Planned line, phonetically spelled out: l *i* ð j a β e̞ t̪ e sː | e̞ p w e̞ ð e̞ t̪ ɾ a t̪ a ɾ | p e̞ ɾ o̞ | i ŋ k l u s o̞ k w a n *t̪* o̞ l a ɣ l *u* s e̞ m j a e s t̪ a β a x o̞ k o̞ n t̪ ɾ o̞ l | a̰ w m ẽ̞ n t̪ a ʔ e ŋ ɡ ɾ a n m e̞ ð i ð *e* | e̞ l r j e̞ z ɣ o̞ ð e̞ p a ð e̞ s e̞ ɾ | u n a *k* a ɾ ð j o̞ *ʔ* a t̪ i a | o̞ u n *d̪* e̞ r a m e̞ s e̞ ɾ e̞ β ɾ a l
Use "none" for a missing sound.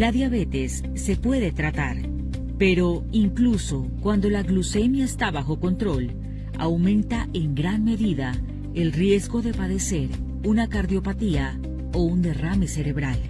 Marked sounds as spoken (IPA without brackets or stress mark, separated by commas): a, d̪, u, a, k, p, d̪